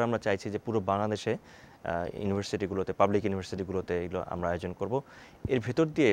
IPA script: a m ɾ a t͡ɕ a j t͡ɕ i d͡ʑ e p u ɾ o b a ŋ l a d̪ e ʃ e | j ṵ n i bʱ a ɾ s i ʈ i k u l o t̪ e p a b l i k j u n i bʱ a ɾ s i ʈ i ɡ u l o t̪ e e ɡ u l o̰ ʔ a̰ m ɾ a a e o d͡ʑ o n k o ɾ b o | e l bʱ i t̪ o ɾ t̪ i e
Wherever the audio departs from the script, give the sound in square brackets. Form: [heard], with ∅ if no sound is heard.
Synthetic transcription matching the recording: a m ɾ a t͡ɕ a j [t͡ɕʰ] i d͡ʑ e p u ɾ o b a ŋ l a d̪ e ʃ e | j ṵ n i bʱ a ɾ s i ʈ i [ɡ] u l o t̪ e p a b l i k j u n i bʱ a ɾ s i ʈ i ɡ u l o t̪ e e ɡ u l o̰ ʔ a̰ m ɾ a a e o d͡ʑ o n k o ɾ b o | e [ɾ] bʱ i t̪ o ɾ [d̪] i e